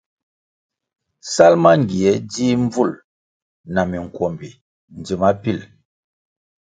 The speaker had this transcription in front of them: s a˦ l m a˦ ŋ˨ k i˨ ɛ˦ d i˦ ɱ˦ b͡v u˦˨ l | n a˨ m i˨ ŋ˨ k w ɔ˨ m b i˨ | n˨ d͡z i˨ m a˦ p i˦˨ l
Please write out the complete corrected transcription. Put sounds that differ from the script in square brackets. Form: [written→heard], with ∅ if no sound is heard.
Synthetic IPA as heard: s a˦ l m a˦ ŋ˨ [k→ɡ] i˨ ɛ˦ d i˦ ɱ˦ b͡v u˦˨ l | n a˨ m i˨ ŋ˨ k w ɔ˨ m b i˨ | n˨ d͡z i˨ m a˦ p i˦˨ l